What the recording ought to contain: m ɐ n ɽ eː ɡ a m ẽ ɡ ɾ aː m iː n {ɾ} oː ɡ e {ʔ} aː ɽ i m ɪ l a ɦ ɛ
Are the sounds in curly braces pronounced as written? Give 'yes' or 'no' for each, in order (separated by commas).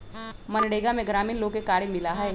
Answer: no, no